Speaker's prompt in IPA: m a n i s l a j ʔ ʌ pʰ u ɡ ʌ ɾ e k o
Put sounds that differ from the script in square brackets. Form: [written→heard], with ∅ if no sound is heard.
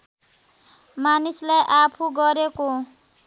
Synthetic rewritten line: m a n i s l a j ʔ [ʌ→a] pʰ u ɡ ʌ ɾ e k o